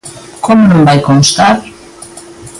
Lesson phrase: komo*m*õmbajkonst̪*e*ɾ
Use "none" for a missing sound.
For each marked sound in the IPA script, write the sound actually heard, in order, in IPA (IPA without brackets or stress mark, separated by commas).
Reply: n, a